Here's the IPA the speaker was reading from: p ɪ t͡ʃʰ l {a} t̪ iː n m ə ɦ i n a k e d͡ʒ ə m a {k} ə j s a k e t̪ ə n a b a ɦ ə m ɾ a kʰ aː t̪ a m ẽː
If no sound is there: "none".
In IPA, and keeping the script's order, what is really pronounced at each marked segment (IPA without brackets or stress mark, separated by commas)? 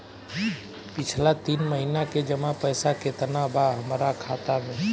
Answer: a, p